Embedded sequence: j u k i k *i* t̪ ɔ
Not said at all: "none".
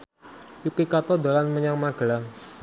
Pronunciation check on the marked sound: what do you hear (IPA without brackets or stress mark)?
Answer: a